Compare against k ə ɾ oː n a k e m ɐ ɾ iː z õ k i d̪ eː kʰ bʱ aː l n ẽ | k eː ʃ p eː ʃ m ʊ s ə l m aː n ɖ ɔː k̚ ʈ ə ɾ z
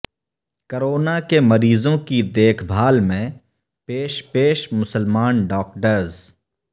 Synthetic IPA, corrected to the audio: k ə ɾ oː n a k e m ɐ ɾ iː z õ k i d̪ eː kʰ bʱ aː l m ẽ | p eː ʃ p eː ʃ m ʊ s ə l m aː n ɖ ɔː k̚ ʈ ə ɾ z